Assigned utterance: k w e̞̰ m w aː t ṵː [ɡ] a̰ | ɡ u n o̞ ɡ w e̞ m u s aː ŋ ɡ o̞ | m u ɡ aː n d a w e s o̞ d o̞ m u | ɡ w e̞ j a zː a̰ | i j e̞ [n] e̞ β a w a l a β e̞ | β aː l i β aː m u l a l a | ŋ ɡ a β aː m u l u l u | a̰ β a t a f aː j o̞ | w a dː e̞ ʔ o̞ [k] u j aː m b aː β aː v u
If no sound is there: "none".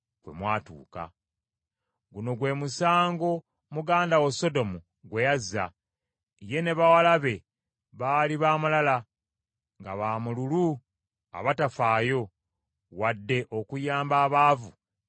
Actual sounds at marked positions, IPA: k, n, k

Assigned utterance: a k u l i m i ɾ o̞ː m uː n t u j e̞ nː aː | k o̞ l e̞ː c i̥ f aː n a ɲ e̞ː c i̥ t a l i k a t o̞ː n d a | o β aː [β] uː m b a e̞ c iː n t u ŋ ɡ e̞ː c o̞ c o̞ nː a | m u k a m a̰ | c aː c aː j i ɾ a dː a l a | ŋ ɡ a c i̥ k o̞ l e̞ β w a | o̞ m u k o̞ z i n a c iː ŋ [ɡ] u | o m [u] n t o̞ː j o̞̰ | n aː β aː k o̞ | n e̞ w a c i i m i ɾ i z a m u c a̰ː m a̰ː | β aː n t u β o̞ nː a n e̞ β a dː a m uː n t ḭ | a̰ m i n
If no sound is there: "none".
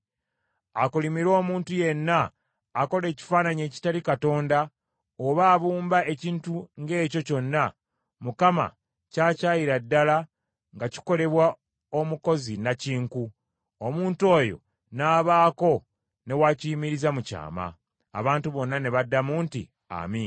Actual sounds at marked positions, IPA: β, k, uː

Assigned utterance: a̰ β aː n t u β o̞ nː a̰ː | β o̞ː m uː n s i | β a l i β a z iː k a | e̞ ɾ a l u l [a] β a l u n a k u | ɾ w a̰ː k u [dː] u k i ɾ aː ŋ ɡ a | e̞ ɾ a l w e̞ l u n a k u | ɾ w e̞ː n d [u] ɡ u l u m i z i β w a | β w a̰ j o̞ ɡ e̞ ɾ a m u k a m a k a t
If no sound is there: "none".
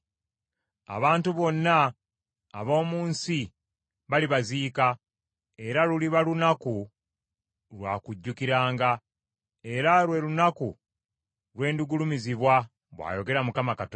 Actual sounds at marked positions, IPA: i, ɟː, u

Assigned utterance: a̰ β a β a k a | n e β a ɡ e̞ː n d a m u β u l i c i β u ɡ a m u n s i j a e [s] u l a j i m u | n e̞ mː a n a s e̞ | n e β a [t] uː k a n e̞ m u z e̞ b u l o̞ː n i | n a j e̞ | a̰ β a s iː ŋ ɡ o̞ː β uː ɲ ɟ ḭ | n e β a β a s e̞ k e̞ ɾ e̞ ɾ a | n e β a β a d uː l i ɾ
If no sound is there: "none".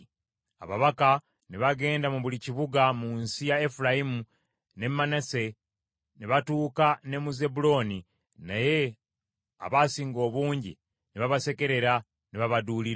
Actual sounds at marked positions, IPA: f, t

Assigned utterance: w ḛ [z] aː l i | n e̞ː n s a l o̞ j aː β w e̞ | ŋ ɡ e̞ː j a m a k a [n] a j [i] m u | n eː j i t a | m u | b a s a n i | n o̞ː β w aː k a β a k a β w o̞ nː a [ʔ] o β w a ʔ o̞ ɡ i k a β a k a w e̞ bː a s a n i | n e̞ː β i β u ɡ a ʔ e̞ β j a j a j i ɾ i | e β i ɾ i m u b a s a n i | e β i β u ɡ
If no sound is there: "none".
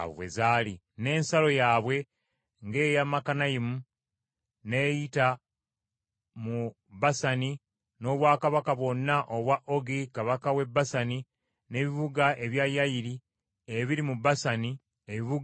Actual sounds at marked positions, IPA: z, n, i, ʔ

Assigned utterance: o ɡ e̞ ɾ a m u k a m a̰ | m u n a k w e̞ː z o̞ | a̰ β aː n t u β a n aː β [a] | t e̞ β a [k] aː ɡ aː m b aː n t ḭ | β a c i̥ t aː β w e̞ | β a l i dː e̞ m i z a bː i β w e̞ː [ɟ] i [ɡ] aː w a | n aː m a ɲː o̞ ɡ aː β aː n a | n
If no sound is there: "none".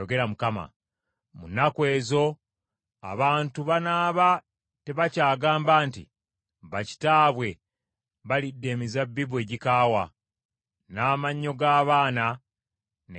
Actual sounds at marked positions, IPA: a, c, ɟ, k

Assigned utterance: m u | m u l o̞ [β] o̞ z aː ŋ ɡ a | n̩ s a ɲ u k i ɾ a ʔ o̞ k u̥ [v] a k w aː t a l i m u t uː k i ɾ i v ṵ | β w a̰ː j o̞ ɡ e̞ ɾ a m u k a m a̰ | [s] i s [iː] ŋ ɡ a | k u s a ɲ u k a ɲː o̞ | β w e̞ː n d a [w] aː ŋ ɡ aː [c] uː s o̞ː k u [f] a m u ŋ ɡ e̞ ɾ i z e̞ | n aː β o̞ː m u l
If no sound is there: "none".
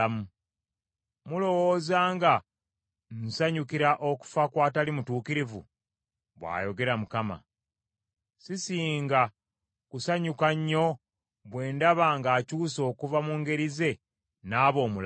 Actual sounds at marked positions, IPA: w, f, s, iː, β, c, v

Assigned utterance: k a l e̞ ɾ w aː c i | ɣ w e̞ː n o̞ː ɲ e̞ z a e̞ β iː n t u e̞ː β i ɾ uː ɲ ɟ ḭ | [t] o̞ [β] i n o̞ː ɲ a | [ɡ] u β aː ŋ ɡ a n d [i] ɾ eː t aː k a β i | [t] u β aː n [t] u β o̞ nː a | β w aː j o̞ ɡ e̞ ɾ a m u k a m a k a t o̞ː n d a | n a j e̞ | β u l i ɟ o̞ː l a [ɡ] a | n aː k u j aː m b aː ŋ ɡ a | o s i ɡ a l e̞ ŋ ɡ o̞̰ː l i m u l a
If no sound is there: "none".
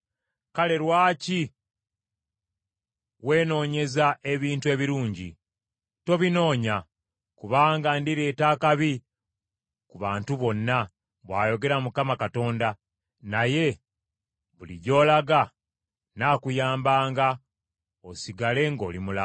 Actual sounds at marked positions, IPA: t, β, k, i, k, t, ɡ

